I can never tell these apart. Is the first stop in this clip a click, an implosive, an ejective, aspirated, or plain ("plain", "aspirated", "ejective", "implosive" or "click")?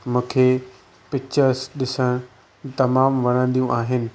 aspirated